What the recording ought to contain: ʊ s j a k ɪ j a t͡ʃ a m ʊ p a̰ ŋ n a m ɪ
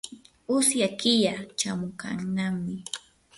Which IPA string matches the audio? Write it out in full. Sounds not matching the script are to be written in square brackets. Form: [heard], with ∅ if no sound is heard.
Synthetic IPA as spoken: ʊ s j a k ɪ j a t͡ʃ a m ʊ [k] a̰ ŋ n a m ɪ